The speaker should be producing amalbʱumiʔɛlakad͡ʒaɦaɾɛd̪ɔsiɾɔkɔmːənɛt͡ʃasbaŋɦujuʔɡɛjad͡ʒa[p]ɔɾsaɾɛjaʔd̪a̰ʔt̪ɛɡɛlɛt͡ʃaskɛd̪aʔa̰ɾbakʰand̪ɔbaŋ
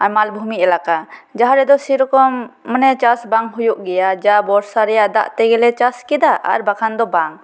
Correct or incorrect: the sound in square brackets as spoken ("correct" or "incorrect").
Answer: incorrect